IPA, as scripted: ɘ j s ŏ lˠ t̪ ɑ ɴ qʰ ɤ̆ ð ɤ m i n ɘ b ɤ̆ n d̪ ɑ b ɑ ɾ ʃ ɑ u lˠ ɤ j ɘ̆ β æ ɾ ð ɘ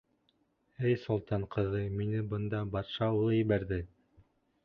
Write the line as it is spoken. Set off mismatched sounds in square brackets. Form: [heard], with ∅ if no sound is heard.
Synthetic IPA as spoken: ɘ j s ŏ lˠ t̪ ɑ ɴ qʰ ɤ̆ ð ɤ m i n ɘ b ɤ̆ n d̪ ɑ b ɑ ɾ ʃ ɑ u lˠ ɤ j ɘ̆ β æ ɾ ð ɘ